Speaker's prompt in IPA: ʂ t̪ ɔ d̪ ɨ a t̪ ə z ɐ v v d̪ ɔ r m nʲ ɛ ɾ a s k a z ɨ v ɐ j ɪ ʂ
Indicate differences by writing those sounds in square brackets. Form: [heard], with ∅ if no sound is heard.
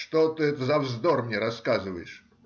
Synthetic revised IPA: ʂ t̪ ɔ [t̪] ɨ [ɛ] t̪ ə z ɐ v [z] d̪ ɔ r m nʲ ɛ ɾ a s k a z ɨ v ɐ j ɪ ʂ